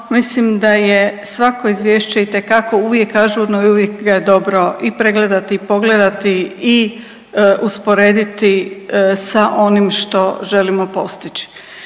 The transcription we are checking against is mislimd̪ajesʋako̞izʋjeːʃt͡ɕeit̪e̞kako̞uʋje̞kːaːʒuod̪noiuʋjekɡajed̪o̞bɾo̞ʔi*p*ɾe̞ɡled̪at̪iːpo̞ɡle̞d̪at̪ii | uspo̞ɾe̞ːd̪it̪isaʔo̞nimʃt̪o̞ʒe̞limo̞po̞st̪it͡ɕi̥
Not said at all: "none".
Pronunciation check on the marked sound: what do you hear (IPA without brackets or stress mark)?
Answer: p